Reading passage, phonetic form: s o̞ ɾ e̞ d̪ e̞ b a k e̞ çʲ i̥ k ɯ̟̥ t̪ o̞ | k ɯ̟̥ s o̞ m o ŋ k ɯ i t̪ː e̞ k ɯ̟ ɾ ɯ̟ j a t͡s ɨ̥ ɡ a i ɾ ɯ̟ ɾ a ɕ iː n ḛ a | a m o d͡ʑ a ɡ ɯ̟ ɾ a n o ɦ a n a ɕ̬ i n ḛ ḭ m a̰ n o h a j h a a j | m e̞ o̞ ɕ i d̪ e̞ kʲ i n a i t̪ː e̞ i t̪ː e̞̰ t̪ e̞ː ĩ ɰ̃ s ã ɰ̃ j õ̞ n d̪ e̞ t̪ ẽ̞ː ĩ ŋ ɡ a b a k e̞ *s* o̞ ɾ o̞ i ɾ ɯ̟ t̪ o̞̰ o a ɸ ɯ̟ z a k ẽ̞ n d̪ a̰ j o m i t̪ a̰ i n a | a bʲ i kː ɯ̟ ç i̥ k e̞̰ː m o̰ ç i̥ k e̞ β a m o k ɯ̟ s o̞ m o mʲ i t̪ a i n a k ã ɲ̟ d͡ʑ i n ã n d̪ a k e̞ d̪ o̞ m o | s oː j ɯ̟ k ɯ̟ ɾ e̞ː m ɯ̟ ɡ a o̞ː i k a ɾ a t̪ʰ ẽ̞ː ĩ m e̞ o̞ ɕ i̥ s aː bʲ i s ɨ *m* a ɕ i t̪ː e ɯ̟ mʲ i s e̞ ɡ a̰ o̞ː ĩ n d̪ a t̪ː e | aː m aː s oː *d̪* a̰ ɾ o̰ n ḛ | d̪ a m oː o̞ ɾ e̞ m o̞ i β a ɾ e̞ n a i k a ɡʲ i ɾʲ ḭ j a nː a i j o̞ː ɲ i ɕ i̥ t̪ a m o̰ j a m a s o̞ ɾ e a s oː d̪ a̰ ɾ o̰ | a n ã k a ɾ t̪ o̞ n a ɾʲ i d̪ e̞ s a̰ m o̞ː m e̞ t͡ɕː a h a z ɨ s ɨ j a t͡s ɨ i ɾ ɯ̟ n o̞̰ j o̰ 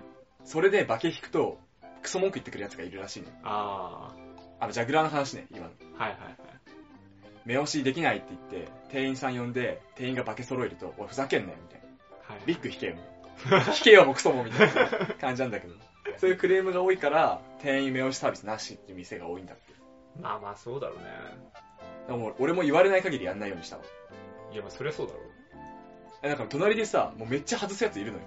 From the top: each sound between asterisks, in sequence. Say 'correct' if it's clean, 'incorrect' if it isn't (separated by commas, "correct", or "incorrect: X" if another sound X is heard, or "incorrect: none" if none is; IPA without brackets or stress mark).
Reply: correct, incorrect: n, correct